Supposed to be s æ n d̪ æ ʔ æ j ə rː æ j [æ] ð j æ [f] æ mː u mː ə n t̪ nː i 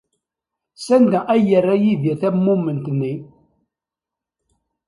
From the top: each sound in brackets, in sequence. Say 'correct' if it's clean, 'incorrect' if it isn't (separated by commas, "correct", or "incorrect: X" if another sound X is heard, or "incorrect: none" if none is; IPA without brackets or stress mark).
incorrect: i, incorrect: θ